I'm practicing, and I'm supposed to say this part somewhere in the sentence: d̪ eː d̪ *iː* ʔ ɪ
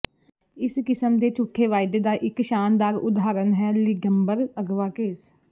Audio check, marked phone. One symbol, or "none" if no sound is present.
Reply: aː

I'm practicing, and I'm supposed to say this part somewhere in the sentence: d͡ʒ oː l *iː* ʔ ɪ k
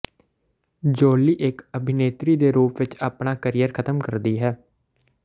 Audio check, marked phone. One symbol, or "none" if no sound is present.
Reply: iː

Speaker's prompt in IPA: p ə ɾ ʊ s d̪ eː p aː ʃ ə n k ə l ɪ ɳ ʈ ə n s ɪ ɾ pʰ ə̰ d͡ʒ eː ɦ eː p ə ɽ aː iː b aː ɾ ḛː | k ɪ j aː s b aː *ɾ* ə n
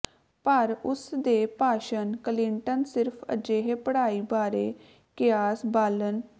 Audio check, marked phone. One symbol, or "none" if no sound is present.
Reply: l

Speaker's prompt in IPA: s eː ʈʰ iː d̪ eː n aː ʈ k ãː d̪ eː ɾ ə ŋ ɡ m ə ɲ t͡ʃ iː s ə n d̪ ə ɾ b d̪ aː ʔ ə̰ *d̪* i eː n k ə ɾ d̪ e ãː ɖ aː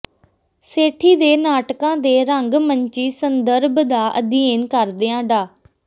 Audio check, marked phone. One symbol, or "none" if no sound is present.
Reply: d̪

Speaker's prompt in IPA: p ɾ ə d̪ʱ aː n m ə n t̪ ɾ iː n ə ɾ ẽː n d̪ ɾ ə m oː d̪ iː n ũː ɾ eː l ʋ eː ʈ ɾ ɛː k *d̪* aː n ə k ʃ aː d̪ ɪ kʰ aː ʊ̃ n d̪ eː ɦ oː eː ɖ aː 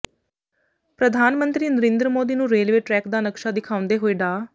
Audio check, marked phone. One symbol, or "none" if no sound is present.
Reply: d̪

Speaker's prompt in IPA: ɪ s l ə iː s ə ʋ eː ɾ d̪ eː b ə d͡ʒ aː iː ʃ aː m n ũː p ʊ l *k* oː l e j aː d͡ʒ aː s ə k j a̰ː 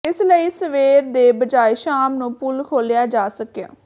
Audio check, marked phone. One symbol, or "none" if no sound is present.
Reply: kʰ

